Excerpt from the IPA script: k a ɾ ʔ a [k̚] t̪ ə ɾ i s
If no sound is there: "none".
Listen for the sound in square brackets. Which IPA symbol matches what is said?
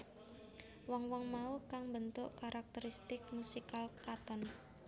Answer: k̚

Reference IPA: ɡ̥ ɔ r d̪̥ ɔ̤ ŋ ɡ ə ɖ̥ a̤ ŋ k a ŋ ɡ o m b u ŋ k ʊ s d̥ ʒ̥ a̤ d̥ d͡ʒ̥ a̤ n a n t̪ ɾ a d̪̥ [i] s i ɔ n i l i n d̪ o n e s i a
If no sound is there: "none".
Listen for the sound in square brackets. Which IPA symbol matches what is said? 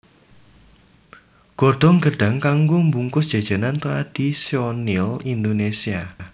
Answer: i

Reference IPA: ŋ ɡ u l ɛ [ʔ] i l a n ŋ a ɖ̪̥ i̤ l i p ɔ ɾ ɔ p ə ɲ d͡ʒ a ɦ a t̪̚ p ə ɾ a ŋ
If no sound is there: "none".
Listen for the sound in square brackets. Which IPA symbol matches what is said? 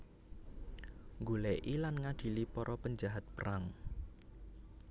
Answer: ʔ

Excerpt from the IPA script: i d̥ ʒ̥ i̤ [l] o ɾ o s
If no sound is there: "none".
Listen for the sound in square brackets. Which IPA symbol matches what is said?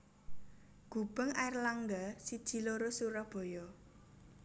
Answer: l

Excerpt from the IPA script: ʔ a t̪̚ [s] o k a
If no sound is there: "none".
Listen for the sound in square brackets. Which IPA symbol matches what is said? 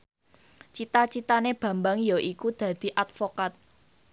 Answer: f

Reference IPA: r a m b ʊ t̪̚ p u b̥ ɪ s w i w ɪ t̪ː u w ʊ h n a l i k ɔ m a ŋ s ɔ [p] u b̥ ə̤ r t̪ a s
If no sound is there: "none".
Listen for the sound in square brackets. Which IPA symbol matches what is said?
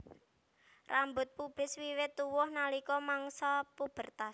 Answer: p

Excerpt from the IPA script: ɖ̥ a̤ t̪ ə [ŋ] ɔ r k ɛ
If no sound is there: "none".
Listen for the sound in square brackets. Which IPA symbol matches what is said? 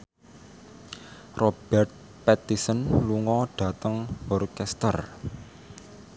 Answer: ŋ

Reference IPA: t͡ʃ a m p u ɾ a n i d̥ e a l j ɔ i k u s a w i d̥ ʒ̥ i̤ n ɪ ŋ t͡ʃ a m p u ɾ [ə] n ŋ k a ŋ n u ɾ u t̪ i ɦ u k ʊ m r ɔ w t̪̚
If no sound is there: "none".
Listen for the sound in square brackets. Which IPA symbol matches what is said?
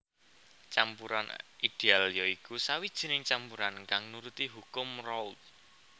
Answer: a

